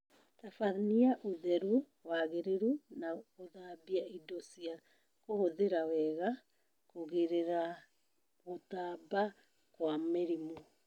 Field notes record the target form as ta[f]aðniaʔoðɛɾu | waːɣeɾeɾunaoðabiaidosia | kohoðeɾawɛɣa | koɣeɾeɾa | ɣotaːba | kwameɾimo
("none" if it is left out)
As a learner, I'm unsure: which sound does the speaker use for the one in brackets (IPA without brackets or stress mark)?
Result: f